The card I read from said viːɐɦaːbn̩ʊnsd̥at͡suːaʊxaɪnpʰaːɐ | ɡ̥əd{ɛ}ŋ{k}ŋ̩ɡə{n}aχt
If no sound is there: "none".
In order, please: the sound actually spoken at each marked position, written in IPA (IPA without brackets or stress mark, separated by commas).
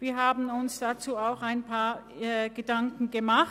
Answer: a, k, m